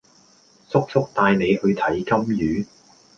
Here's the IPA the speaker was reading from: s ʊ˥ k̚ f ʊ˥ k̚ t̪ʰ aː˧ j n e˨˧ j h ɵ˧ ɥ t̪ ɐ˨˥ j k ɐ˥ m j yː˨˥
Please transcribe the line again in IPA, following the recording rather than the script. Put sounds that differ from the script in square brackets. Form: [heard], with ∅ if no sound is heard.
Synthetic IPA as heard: s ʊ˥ k̚ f ʊ˥ k̚ [t̪] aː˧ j n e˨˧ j h ɵ˧ ɥ [t̪ʰ] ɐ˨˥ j k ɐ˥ m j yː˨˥